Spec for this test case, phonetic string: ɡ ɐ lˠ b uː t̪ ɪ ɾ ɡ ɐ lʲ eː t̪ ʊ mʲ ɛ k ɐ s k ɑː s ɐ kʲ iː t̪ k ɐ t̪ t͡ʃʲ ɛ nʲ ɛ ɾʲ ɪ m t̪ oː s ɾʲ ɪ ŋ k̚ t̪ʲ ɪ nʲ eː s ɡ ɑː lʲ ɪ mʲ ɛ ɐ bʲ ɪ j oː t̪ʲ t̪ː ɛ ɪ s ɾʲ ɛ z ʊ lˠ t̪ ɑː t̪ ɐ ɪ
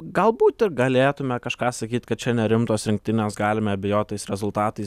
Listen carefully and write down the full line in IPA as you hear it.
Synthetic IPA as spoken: ɡ ɐ lˠ b uː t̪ ɪ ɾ ɡ ɐ lʲ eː t̪ ʊ mʲ ɛ k ɐ ʃ k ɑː s ɐ kʲ iː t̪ k ɐ t̪ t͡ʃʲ ɛ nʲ ɛ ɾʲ ɪ m t̪ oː s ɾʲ ɪ ŋ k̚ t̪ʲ ɪ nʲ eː s ɡ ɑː lʲ ɪ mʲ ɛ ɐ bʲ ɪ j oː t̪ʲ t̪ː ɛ ɪ s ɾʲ ɛ z ʊ lˠ t̪ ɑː t̪ ɐ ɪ